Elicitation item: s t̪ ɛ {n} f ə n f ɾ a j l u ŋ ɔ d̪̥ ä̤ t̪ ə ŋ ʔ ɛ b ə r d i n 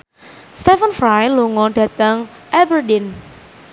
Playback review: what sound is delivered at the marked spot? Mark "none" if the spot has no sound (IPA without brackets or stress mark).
none